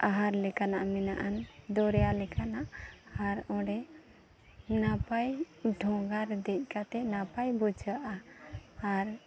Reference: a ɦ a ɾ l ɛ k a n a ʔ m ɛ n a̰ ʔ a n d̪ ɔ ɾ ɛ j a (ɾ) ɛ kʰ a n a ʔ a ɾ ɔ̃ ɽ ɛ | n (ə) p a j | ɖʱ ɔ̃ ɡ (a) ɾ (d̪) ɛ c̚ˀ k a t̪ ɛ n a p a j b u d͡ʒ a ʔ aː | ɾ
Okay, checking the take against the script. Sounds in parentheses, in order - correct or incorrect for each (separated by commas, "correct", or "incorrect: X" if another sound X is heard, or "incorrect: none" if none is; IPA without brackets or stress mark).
incorrect: l, incorrect: a, correct, correct